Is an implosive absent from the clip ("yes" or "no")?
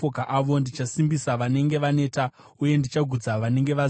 yes